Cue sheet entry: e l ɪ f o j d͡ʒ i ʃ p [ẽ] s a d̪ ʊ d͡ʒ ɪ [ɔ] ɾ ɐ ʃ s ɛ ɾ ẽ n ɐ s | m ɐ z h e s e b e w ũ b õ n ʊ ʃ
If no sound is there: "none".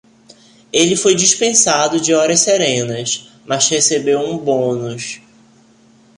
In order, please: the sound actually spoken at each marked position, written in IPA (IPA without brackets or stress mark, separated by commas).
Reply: ẽ, ɔ